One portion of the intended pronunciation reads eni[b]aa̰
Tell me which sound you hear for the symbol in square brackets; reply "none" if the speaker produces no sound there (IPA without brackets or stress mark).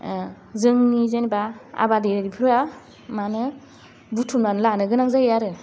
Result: b